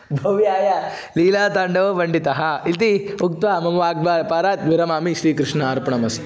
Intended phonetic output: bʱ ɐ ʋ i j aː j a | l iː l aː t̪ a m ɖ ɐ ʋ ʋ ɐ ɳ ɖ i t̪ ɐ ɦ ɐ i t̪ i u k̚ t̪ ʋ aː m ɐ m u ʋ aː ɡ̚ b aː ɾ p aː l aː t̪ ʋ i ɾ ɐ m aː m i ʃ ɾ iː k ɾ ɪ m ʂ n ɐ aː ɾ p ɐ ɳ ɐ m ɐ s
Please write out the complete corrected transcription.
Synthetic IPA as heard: bʱ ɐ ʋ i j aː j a | l iː l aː t̪ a ɳ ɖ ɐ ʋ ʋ ɐ ɳ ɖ i t̪ ɐ ɦ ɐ i t̪ i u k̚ t̪ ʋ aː m ɐ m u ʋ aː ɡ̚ b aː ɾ p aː ɾ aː t̪ ʋ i ɾ ɐ m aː m i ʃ ɾ iː k ɾ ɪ ʂ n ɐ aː ɾ p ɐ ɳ ɐ m ɐ s